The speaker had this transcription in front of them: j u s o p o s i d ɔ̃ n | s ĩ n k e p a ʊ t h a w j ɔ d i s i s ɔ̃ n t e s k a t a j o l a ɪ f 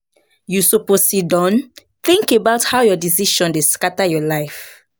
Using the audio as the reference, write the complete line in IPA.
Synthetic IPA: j u s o p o s i d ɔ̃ n | θ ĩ ŋ k e b a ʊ t h a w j ɔ d i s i ʃ ɔ̃ n d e s k a t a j ɔ l a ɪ f